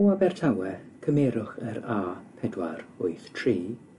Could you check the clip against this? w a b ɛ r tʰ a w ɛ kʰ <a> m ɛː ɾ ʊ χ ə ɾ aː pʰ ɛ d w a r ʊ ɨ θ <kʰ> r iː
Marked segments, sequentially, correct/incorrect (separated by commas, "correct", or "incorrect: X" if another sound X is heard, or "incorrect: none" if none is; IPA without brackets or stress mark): incorrect: ə, incorrect: tʰ